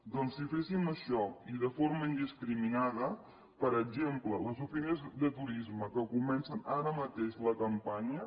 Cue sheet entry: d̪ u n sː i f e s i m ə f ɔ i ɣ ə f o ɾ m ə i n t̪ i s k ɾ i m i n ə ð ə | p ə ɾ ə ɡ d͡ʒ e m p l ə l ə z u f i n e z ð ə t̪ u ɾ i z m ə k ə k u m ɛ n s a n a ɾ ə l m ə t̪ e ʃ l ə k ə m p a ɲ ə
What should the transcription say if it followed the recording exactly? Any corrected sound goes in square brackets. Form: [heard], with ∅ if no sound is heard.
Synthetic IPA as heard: d̪ [ɔ] n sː i f e s i m ə [ʃ] ɔ i [ð] ə f o ɾ m ə i n [d̪] i s k ɾ i m i n [a] ð ə | p ə ɾ ə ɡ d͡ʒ e m p l ə l ə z u f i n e z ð ə t̪ u ɾ i z m ə k ə k u m ɛ n s [ə] n a ɾ ə [∅] m ə t̪ e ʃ l ə k ə m p a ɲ ə